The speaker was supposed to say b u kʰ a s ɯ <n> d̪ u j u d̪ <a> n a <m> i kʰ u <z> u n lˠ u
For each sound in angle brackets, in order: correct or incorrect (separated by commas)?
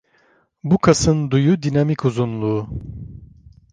correct, incorrect, correct, correct